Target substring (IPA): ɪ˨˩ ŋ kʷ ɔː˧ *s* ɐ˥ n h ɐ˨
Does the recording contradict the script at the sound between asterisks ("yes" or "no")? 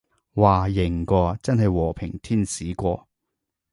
yes